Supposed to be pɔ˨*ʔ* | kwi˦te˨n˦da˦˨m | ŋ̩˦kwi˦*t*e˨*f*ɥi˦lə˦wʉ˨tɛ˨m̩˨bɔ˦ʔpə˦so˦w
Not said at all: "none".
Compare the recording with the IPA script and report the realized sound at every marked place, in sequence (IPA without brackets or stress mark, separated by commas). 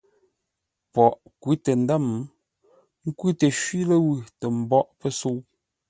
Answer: ʔ, t, ʃ